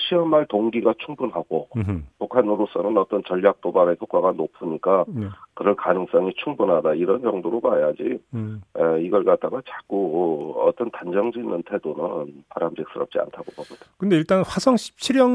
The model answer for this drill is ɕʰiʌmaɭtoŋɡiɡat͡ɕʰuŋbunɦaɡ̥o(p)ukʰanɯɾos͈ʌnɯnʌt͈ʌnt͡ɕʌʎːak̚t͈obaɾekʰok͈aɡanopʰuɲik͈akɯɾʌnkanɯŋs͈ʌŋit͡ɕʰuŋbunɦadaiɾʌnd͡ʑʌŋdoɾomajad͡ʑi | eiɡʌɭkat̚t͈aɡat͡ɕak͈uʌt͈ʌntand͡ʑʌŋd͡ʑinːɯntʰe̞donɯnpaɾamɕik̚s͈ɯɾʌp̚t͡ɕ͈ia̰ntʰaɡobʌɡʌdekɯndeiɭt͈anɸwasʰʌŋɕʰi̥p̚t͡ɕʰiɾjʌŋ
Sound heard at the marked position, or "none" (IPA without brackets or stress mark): p